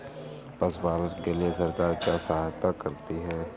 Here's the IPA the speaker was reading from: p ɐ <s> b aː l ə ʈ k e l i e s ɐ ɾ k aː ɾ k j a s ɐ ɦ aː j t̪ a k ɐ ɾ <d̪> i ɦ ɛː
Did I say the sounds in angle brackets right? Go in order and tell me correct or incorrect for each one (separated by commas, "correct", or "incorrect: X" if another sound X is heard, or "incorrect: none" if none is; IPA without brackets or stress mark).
correct, incorrect: t̪